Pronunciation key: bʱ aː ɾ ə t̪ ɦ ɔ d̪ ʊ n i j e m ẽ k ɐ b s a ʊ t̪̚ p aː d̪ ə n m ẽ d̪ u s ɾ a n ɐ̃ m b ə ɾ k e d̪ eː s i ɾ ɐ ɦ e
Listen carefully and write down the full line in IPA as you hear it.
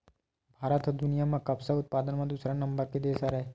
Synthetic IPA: bʱ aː ɾ ə t̪ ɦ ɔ d̪ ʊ n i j a m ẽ k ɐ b s a ʊ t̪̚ p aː d̪ ə n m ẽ d̪ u s ɾ a n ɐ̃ m b ə ɾ k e d̪ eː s a ɾ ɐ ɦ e